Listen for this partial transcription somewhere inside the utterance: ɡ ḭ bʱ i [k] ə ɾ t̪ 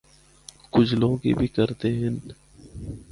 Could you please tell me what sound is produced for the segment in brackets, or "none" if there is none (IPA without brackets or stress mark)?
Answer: k